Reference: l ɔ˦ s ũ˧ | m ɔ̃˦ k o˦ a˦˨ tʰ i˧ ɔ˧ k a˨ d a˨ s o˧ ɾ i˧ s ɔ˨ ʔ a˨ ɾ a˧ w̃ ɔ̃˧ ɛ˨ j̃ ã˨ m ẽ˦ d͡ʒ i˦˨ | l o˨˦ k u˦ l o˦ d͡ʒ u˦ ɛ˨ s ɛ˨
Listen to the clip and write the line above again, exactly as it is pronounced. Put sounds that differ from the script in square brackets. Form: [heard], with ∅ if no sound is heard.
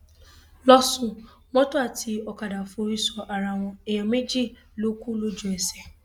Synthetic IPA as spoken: l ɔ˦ s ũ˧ | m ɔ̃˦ [t] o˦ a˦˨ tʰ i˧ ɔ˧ k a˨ d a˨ [f] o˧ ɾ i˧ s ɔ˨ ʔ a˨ ɾ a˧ w̃ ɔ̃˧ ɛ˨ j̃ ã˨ m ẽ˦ d͡ʒ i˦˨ | l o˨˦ k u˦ l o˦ d͡ʒ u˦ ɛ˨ s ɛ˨